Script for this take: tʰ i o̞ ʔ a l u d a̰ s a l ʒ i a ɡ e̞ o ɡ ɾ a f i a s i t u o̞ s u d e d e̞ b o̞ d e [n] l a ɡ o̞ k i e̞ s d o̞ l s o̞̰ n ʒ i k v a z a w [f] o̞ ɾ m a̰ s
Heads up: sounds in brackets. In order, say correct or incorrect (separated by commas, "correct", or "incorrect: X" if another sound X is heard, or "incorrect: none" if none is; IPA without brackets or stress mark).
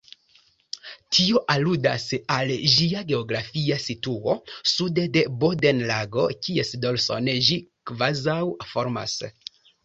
correct, correct